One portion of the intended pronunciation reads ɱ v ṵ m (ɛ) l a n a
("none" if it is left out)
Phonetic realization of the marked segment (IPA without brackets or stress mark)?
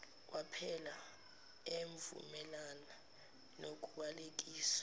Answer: ɛ